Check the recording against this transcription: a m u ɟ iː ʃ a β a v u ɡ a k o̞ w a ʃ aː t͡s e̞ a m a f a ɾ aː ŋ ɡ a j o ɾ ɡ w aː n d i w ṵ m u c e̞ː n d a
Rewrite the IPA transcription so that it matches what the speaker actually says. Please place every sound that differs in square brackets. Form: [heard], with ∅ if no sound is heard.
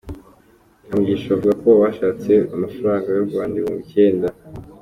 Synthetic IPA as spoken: a m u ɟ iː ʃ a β a v u ɡ a k o̞ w a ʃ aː t͡s e̞ a m a f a ɾ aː ŋ ɡ a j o ɾ ɡ w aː n d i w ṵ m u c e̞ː n d a

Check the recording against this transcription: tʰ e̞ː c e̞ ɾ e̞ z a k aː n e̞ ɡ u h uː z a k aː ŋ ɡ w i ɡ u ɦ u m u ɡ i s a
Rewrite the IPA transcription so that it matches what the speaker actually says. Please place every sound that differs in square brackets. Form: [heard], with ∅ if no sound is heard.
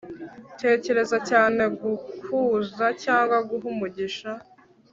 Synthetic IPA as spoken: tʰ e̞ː c e̞ ɾ e̞ z a [c] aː n e̞ ɡ u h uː z a [c] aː ŋ ɡ w [a] ɡ u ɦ u m u [ɟ] i [ʃ] a

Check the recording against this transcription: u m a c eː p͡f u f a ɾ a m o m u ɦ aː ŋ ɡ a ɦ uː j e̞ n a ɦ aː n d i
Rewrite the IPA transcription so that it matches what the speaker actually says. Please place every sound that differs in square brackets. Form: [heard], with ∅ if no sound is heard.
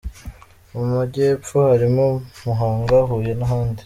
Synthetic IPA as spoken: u m a [ɟ] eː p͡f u [h] a ɾ [i] m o m u ɦ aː ŋ ɡ a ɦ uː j e̞ n a ɦ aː n d i

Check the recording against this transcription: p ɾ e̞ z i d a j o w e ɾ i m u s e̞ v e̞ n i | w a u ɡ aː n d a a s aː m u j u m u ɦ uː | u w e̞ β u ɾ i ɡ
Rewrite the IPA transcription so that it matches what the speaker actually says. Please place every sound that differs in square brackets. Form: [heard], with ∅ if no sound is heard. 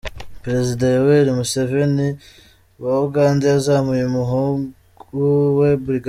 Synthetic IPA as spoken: p ɾ e̞ z i d a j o w e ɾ i m u s e̞ v e̞ n i | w a u ɡ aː n d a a [z] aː m u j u m u ɦ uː | u w e̞ [b] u ɾ i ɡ

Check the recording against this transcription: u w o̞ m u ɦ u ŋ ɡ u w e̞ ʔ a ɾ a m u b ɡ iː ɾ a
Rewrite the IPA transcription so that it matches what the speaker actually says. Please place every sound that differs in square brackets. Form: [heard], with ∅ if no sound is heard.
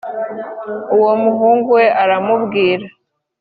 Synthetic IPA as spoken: u w o̞ m u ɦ [uː] ŋ ɡ u w e̞ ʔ a ɾ a m u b ɡ iː ɾ a

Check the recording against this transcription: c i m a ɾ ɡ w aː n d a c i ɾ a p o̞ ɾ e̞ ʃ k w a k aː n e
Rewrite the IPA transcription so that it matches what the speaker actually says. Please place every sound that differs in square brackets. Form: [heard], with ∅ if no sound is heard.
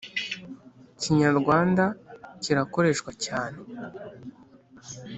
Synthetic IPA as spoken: c i [ɲ] a ɾ ɡ w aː n d a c i ɾ a [k] o̞ ɾ e̞ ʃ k w a [c] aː n e

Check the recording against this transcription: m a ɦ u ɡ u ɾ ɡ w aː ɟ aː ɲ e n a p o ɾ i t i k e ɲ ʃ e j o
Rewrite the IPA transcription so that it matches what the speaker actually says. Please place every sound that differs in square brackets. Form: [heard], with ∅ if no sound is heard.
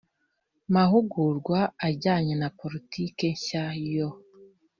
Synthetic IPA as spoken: m a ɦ u ɡ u ɾ ɡ w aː ɟ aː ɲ e n a p o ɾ i t i k e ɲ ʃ [a] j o

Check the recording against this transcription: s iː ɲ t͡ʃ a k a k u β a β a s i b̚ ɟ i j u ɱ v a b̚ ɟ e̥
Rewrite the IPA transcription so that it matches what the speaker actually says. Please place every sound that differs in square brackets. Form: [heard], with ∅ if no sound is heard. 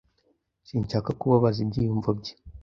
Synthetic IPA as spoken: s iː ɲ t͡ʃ a k a k u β a β a [z] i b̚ ɟ i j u ɱ v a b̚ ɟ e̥

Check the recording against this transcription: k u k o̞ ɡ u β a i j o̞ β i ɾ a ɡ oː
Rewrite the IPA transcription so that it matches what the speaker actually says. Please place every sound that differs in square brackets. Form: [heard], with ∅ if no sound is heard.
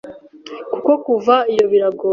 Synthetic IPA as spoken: k u k o̞ [k] u [v] a i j o̞ β i ɾ a ɡ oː

